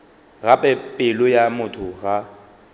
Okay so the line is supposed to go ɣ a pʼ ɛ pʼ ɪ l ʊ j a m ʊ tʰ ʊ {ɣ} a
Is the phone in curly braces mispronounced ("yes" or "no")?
no